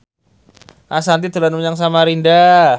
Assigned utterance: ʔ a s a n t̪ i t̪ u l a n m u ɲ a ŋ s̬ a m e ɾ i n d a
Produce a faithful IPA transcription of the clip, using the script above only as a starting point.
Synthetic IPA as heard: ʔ a s a n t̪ i t̪ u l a n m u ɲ a ŋ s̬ a m a ɾ i n d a